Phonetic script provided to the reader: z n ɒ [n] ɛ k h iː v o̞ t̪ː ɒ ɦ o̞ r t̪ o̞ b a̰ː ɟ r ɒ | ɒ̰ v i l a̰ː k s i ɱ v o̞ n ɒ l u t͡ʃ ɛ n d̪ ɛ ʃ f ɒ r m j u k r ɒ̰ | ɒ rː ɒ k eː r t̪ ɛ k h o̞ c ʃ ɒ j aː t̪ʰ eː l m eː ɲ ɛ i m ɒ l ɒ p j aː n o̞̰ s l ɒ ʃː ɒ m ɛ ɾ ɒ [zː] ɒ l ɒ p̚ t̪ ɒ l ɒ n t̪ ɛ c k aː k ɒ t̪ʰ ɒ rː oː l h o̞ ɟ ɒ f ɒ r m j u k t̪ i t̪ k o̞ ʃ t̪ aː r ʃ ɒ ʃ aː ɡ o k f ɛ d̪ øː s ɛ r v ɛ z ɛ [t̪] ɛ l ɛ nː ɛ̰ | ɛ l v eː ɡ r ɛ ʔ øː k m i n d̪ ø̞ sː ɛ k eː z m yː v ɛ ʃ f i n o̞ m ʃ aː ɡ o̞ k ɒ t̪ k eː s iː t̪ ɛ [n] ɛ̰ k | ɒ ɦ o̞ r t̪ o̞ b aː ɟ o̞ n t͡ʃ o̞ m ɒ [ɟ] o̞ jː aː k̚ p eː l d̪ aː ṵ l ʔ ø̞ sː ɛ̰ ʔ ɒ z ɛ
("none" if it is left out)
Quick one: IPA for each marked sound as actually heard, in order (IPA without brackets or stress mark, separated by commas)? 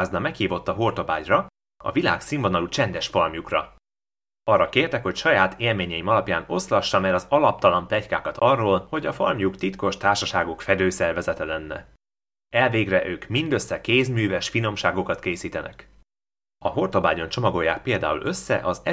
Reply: m, z, t̪, n, ɡ